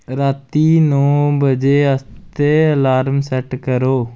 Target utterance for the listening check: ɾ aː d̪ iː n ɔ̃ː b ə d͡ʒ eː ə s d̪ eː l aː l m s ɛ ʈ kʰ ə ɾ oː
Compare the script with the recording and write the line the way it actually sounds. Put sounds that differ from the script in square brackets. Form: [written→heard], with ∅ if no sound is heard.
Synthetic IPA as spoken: ɾ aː [d̪→t̪] iː n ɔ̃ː b ə d͡ʒ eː ə s [d̪→t̪] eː l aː [l→ɾ] m s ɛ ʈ [kʰ→k] ə ɾ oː

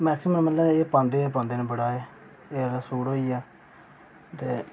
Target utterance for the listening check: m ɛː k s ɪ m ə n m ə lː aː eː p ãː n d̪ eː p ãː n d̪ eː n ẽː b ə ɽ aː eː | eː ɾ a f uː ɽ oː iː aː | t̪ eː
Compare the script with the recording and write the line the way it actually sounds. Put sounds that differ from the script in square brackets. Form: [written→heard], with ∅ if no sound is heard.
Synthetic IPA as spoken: m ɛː k s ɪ m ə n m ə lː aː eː p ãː n d̪ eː p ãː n d̪ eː n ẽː b ə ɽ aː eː | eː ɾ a [f→s] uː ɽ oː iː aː | t̪ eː

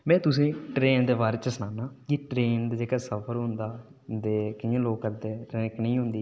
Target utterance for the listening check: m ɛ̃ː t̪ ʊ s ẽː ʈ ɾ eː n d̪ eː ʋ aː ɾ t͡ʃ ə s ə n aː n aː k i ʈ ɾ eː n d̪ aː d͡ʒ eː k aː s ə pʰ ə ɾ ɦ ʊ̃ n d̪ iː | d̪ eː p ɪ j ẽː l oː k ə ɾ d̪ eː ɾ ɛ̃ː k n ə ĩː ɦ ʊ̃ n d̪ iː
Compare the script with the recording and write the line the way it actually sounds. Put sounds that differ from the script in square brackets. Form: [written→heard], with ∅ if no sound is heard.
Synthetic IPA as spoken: m ɛ̃ː t̪ ʊ s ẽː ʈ ɾ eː n d̪ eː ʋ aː ɾ t͡ʃ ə s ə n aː n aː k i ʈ ɾ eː n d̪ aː d͡ʒ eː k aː s ə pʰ ə ɾ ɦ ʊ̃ n d̪ [iː→aː] | d̪ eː [p→k] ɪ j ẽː l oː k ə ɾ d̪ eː ɾ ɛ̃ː k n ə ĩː ɦ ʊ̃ n d̪ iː

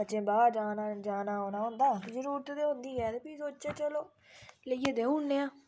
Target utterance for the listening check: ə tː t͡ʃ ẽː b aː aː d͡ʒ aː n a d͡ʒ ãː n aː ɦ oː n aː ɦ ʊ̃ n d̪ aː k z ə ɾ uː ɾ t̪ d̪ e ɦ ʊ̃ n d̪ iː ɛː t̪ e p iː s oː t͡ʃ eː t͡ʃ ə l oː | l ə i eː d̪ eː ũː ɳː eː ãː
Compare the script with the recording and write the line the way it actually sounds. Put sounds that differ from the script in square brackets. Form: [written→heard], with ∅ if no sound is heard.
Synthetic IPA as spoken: ə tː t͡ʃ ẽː b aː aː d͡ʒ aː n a d͡ʒ [ãː→aː] n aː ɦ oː n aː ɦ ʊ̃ n d̪ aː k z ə ɾ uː ɾ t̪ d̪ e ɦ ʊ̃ n d̪ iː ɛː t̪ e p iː s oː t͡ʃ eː t͡ʃ ə l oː | l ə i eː d̪ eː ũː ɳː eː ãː

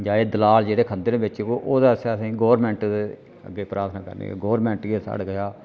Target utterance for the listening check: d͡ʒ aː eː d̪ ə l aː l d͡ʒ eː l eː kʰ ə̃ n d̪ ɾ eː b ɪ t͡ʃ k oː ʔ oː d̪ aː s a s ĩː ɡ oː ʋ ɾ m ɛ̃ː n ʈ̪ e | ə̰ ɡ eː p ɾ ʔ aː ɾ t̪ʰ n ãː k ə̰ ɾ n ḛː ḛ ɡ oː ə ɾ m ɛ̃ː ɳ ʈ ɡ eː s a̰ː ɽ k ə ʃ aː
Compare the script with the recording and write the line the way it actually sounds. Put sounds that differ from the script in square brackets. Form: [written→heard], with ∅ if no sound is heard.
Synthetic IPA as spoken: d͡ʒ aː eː d̪ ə l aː l d͡ʒ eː [l→ɽ] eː kʰ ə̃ n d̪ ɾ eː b ɪ t͡ʃ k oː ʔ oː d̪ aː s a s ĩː ɡ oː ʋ ɾ m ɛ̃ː [n→ɳ] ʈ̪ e | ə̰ ɡ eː p ɾ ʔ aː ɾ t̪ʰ n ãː k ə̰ ɾ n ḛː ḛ ɡ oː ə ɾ m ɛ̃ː ɳ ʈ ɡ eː s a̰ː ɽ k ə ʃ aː

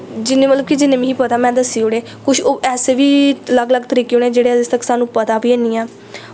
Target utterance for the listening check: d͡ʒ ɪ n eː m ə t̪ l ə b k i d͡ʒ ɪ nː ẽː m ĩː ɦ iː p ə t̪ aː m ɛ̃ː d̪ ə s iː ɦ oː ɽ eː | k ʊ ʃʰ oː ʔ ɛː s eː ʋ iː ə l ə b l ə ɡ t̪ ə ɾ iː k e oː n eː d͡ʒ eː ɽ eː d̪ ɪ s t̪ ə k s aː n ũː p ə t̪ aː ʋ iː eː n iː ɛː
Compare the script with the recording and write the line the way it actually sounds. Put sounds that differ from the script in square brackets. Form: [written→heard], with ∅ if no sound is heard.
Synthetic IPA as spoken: d͡ʒ ɪ n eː m ə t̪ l ə b k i d͡ʒ ɪ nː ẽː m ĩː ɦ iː p ə t̪ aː m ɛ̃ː d̪ ə s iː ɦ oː ɽ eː | k ʊ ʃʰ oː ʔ ɛː s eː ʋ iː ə l ə [b→ɡ] l ə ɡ t̪ ə ɾ iː k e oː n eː d͡ʒ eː ɽ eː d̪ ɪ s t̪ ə k s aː n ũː p ə t̪ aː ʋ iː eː n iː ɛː

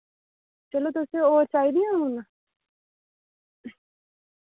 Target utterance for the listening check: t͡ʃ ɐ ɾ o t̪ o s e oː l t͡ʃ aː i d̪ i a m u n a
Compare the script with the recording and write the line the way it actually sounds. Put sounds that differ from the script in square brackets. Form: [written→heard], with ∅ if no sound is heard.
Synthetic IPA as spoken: t͡ʃ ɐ [ɾ→l] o t̪ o s e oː [l→ɾ] t͡ʃ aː i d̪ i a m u n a

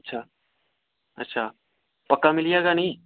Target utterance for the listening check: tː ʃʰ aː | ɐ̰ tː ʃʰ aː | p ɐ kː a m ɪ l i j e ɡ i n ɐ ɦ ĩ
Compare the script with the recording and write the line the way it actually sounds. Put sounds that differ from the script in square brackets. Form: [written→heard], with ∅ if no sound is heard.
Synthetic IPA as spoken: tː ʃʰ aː | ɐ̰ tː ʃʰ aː | p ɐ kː a m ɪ l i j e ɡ [i→a] n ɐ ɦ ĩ

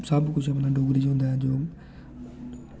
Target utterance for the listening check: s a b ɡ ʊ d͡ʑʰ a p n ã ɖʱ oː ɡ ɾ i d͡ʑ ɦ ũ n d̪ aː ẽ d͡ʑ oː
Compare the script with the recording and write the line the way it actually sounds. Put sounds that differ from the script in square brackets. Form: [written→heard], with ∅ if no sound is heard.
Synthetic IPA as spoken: s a b [ɡ→k] ʊ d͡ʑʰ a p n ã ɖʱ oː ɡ ɾ i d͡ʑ ɦ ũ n d̪ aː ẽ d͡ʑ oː

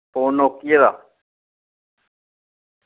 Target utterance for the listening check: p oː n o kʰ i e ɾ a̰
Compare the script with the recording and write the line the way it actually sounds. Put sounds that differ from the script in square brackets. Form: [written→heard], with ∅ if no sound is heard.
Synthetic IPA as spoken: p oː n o [kʰ→k] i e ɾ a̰

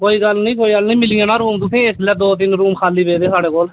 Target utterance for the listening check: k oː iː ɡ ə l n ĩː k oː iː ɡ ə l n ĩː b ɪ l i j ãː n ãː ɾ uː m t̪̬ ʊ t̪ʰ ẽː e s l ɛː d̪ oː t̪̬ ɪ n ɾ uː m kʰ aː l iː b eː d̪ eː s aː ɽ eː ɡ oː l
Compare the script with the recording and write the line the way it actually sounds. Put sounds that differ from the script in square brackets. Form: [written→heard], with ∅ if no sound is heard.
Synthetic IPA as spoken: k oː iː ɡ ə l n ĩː k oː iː ɡ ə l n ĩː [b→m] ɪ l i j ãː n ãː ɾ uː m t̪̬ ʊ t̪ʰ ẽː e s l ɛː d̪ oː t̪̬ ɪ n ɾ uː m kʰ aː l iː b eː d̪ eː s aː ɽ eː [ɡ→k] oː l

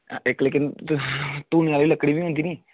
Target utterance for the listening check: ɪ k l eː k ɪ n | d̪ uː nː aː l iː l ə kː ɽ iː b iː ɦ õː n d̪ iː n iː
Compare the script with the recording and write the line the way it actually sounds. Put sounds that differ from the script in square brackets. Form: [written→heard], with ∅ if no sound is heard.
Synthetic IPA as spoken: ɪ k l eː k ɪ n | [d̪→t̪] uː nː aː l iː l ə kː ɽ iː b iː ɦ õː n d̪ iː n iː

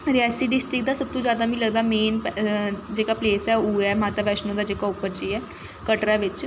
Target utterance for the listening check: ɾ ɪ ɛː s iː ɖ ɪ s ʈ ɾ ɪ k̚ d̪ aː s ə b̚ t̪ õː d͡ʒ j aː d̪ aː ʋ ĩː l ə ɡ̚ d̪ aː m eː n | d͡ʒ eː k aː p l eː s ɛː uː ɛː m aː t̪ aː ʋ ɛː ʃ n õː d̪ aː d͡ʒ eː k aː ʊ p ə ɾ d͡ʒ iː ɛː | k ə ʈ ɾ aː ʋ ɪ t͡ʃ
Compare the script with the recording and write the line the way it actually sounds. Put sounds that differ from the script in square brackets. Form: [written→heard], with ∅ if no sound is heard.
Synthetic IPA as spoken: ɾ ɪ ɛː s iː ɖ ɪ s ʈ ɾ ɪ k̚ d̪ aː s ə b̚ t̪ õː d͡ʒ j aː d̪ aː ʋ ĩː l ə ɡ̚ d̪ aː m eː n | d͡ʒ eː k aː p l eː s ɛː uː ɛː m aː t̪ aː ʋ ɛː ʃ n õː d̪ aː d͡ʒ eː k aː ʊ p ə ɾ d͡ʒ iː ɛː | k ə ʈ ɾ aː ʋ ɪ t͡ʃ

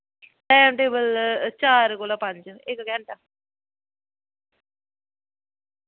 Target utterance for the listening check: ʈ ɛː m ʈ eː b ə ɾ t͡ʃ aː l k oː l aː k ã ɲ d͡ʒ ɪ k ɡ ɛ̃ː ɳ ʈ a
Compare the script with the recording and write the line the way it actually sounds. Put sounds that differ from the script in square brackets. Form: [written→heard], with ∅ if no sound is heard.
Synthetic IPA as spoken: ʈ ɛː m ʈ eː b ə [ɾ→l] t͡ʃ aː [l→ɾ] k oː l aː [k→p] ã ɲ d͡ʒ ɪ k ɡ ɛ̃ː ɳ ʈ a

